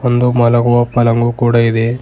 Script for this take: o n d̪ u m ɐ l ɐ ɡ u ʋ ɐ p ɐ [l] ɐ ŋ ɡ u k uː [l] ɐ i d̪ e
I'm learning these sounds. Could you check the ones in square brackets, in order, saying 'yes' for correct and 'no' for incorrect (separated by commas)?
yes, no